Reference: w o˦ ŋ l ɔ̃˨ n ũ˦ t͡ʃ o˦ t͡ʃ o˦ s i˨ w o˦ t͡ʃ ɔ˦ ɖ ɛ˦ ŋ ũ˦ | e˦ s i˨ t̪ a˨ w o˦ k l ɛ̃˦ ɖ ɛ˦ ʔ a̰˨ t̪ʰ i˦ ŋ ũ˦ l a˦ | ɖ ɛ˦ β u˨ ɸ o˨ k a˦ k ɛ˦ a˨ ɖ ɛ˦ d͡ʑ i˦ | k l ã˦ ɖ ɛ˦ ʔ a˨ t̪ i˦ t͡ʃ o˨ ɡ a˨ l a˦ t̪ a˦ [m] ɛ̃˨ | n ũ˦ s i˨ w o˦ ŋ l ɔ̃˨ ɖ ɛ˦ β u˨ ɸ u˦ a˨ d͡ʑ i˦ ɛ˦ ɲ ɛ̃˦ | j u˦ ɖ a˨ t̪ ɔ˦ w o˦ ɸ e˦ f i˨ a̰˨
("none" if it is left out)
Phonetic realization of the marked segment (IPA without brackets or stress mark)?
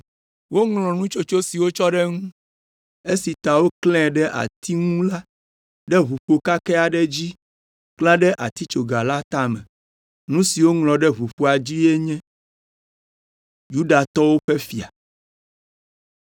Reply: m